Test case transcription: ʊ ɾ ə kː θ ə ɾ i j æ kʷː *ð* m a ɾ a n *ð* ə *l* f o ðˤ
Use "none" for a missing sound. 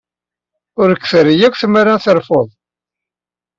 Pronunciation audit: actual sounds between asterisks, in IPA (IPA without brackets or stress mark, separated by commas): θ, θ, ɾ